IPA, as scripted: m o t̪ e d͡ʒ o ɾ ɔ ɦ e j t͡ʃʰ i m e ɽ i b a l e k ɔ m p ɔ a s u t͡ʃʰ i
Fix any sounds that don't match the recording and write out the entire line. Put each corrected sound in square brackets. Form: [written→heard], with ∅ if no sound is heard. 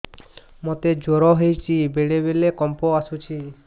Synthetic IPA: m o t̪ e d͡ʒ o ɾ ɔ ɦ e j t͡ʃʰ i [m→b] e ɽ [i→e] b [a→e] l e k ɔ m p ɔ a s u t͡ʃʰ i